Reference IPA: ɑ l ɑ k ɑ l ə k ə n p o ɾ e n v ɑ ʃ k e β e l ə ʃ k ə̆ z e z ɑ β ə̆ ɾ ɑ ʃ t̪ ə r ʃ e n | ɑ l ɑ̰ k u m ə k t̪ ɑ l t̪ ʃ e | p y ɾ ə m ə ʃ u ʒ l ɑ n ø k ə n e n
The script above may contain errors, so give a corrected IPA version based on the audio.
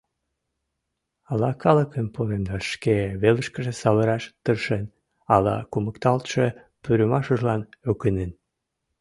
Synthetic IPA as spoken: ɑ l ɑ k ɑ l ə k ə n p o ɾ e n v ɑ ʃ k e β e l ə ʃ k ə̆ ʒ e s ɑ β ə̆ ɾ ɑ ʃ t̪ ə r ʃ e n | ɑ l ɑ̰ k u m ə k t̪ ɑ l t̪ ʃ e | p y ɾ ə m ɑ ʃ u ʒ l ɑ n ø k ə n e n